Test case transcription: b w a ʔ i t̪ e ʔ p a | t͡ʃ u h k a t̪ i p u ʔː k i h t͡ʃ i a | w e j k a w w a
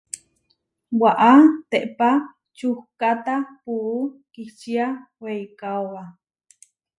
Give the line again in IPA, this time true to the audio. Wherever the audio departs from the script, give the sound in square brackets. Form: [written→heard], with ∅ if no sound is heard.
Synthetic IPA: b w a ʔ [i→a] t̪ e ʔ p a | t͡ʃ u h k a t̪ [i→a] p u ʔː k i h t͡ʃ i a | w e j k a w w a